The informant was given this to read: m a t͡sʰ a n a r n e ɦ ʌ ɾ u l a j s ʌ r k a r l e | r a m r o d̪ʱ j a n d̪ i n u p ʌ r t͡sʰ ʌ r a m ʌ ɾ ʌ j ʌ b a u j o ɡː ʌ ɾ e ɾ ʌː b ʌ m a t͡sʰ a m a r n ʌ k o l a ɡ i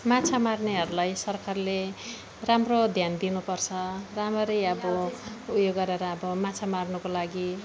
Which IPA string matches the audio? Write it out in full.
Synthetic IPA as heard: m a t͡sʰ a m a r n e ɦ ʌ ɾ u l a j s ʌ r k a r l e | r a m r o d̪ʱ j a n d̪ i n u p ʌ r t͡sʰ ʌ r a m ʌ ɾ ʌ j ʌ b ʌ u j o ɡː ʌ ɾ e ɾ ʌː b ʌ m a t͡sʰ a m a r n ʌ k o l a ɡ i